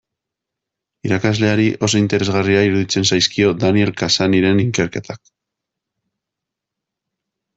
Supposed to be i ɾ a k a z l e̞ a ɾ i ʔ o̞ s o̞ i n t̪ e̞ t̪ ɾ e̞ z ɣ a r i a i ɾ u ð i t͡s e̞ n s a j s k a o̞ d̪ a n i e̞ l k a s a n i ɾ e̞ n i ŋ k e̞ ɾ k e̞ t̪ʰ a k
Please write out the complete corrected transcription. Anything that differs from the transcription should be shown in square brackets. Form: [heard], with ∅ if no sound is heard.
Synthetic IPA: i ɾ a k a z l e̞ a ɾ i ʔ o̞ s o̞ i n t̪ e̞ [∅] ɾ e̞ z ɣ a r i a i ɾ u ð i t͡s e̞ n s a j s k [i] o̞ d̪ a n i e̞ l k a s a n i ɾ e̞ n i ŋ k e̞ ɾ k e̞ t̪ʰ a k